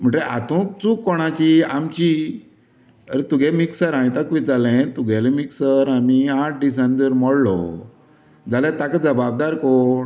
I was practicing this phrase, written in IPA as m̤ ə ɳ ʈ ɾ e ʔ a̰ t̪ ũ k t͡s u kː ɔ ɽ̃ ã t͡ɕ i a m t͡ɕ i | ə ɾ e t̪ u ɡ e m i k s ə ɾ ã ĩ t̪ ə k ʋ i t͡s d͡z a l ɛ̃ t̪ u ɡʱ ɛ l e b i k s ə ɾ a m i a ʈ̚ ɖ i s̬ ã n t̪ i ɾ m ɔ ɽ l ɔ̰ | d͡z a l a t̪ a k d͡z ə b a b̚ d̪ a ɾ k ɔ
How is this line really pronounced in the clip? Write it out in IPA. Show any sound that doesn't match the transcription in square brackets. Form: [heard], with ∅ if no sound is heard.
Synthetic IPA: m̤ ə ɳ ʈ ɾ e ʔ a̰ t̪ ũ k t͡s u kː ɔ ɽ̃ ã t͡ɕ i a m t͡ɕ i | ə ɾ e t̪ u ɡ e m i k s ə ɾ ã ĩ t̪ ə k ʋ i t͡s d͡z a l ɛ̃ t̪ u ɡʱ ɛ l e [m] i k s ə ɾ a m i a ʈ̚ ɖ i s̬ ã n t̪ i ɾ m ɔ ɽ l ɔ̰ | d͡z a l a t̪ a k d͡z ə b a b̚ d̪ a ɾ k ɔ